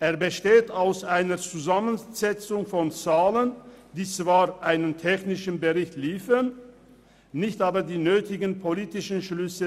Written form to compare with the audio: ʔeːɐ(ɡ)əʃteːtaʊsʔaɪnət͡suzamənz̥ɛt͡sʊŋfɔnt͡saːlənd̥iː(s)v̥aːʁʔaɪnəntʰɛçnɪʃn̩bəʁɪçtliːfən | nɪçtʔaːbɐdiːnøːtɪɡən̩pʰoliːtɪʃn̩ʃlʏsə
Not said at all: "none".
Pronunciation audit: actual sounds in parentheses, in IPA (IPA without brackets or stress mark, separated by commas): b, t͡s